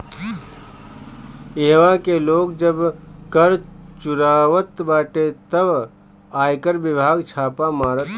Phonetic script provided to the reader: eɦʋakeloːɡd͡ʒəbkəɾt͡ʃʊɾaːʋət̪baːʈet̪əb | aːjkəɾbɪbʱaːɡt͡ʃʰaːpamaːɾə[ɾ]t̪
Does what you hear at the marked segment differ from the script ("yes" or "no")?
yes